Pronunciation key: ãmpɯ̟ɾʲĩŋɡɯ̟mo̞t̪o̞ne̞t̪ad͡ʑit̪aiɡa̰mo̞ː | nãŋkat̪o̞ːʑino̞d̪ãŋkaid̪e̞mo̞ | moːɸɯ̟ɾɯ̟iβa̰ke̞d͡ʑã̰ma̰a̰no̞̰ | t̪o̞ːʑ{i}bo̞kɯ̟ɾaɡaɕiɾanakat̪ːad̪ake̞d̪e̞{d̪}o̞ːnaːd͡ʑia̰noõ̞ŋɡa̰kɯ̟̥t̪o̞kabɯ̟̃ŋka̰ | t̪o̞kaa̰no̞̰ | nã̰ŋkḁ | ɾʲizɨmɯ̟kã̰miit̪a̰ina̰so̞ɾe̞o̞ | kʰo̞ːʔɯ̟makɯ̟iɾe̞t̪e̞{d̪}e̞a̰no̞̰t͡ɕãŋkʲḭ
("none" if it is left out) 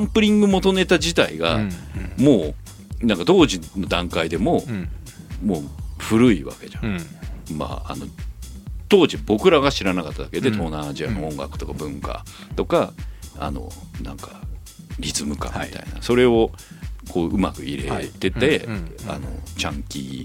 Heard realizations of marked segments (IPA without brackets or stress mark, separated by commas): i, t̪, t̪